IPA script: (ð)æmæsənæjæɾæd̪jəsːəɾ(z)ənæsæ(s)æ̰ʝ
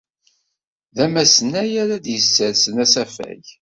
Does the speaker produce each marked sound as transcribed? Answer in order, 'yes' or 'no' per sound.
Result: yes, no, no

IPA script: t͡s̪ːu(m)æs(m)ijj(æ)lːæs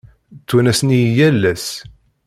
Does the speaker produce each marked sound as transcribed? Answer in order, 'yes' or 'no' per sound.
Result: no, no, yes

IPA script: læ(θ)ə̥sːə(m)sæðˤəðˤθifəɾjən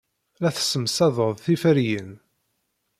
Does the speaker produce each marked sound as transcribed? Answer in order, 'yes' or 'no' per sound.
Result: yes, yes

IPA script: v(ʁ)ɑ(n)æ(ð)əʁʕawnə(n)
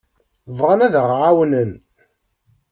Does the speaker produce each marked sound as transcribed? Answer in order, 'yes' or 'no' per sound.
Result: yes, yes, yes, yes

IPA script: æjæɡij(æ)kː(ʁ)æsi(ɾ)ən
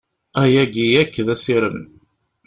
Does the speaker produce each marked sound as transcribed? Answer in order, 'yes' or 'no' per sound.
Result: yes, no, yes

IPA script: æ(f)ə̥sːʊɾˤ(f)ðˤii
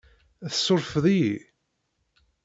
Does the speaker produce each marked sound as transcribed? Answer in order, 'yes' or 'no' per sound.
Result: no, yes

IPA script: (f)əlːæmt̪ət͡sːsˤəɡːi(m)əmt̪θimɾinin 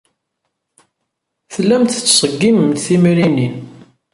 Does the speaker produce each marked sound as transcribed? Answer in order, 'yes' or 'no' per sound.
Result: no, yes

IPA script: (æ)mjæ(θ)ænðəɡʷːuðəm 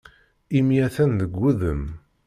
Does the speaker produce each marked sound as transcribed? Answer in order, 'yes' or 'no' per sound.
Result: no, yes

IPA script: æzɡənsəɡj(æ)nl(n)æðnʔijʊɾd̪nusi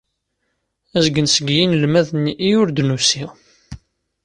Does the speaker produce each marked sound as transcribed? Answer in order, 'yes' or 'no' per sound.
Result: no, no

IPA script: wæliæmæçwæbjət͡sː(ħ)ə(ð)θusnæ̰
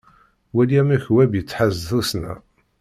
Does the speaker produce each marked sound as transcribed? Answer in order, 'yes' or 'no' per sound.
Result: yes, no

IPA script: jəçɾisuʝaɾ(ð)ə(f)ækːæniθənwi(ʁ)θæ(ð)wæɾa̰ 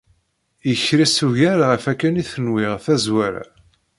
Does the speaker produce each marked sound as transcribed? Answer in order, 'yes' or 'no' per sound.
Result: no, yes, yes, no

